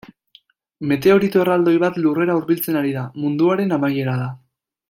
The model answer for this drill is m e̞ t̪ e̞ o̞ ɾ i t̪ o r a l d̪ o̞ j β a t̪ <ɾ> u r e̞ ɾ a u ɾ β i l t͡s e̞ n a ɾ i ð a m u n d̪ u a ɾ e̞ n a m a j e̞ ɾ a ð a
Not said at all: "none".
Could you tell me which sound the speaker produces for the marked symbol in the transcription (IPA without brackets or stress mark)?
l